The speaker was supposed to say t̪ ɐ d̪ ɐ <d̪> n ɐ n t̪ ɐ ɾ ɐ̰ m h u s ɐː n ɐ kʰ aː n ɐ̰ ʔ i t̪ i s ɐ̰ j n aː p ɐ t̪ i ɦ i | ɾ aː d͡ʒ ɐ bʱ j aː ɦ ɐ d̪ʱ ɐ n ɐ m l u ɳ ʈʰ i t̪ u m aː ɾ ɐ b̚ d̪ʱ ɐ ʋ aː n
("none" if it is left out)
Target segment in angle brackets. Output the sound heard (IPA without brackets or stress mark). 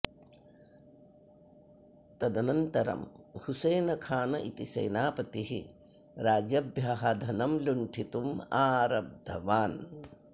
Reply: none